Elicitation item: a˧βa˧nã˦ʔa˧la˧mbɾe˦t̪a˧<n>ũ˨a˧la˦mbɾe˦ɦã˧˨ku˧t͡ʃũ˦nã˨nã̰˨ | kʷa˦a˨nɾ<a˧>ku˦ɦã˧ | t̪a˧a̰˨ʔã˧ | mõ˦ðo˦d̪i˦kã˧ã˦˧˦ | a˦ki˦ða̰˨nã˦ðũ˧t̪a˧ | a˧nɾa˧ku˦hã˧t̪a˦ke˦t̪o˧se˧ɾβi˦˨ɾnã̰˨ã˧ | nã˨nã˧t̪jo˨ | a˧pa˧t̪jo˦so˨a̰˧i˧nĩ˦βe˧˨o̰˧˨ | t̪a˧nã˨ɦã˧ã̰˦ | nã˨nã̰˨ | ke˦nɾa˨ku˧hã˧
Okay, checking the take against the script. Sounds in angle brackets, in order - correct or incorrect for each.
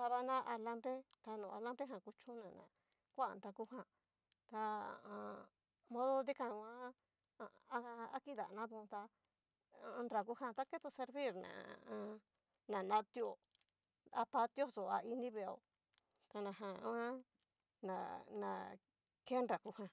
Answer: correct, correct

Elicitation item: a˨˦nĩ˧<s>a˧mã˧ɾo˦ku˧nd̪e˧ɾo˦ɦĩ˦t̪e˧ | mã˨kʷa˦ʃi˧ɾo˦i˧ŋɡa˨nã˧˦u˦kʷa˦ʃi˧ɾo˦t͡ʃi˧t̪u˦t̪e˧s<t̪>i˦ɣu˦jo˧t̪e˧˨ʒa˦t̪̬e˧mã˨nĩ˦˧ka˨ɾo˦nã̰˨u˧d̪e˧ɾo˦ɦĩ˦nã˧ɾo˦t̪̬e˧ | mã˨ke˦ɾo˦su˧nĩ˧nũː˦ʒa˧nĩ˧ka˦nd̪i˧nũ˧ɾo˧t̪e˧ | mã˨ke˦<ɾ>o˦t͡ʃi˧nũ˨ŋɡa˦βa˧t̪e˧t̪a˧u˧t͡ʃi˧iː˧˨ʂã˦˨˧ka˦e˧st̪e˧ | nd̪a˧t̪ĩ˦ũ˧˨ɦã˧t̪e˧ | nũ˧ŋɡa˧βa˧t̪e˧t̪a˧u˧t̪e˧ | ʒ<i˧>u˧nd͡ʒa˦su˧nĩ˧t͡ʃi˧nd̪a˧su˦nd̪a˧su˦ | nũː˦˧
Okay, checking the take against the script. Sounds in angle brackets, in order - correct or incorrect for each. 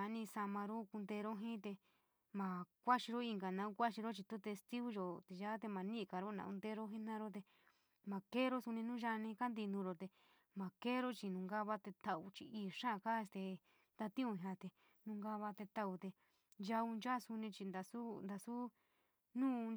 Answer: correct, correct, correct, incorrect: a˧

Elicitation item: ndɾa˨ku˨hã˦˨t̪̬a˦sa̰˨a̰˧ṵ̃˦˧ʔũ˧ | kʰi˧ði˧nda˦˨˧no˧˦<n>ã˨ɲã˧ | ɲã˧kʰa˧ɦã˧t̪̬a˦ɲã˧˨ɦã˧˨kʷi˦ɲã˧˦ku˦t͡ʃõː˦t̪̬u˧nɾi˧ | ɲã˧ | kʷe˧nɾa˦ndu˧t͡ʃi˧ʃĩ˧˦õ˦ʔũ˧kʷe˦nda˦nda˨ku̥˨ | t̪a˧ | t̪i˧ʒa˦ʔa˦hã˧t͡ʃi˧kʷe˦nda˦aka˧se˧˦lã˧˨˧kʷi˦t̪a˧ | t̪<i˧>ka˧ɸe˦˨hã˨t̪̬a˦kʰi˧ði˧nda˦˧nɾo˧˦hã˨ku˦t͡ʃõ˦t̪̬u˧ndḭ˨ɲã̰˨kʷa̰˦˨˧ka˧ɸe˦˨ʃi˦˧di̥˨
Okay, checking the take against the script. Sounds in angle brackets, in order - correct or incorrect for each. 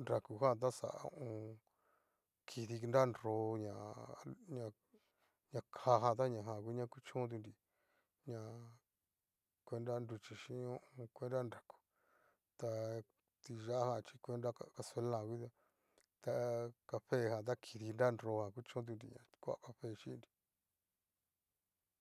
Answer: incorrect: ɲ, incorrect: a˧

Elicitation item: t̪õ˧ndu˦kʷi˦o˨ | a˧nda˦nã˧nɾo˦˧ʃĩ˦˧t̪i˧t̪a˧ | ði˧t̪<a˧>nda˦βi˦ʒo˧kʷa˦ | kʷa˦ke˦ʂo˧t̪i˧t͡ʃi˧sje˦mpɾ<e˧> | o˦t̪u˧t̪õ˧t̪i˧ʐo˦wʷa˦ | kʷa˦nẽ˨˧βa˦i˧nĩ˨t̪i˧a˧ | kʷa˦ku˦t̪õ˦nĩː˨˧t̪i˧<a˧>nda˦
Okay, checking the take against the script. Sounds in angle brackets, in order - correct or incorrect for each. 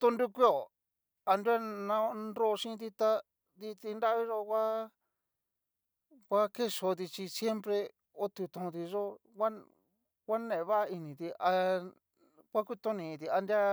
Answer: incorrect: i˧, correct, correct

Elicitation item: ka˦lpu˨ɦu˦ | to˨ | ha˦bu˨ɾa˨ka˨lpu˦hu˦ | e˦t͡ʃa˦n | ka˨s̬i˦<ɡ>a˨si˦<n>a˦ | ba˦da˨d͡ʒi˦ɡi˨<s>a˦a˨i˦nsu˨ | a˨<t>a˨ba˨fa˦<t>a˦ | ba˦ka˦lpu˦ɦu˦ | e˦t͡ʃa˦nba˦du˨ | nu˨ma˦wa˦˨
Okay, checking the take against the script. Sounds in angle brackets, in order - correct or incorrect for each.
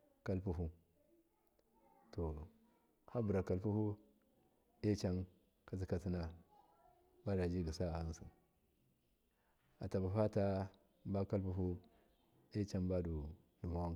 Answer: incorrect: k, correct, correct, correct, correct

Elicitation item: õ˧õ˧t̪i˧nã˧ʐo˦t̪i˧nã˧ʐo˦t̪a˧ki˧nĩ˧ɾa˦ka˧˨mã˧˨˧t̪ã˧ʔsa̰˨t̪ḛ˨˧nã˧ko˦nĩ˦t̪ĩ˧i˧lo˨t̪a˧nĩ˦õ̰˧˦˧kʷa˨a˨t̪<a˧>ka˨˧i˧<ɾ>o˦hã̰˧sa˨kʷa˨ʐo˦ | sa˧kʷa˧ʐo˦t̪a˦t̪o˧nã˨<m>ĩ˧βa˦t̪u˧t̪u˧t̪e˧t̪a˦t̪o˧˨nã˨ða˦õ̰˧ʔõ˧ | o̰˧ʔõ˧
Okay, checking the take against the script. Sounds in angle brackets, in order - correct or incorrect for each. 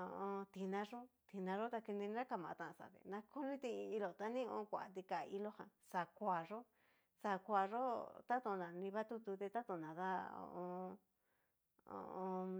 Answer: incorrect: i˧, incorrect: l, incorrect: n

